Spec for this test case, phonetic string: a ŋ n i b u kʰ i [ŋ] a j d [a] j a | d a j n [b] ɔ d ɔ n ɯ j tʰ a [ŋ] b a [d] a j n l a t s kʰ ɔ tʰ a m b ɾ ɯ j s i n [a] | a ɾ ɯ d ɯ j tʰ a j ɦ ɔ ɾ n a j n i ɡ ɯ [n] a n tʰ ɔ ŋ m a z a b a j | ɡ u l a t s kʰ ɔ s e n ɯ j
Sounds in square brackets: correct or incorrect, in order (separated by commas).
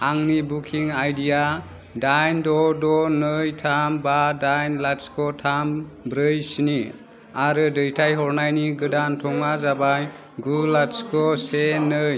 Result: correct, incorrect, incorrect, incorrect, correct, incorrect, incorrect